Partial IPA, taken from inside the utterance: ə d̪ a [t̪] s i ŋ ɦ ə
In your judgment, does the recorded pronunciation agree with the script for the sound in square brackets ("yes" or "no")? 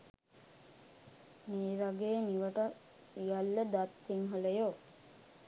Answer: yes